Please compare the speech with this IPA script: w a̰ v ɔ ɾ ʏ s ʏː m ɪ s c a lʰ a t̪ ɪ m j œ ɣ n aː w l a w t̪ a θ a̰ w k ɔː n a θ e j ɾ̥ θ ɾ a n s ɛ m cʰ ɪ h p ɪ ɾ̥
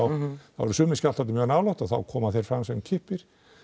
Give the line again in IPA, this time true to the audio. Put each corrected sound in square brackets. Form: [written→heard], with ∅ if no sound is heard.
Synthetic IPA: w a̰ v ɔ ɾ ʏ s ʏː m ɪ s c a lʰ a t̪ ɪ m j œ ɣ n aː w l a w t̪ a θ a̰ w [k→kʰ] ɔː [n→m] a θ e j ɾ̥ [θ→f] ɾ a [n→m] s ɛ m cʰ ɪ h p ɪ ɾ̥